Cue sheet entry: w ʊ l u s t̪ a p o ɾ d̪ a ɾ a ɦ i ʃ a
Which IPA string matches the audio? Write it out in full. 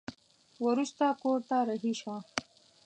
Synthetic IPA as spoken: w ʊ ɾ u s t̪ a k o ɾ t̪ a ɾ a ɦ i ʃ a